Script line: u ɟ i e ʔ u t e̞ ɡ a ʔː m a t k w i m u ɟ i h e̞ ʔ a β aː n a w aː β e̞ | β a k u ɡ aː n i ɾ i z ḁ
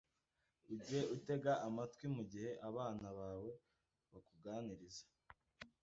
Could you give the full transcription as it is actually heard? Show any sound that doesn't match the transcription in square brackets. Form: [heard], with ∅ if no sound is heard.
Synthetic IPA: u ɟ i e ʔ u t e̞ ɡ a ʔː m a t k w i m u ɟ i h e̞ ʔ a β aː n a [β] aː [w] e̞ | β a k u ɡ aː n i ɾ i z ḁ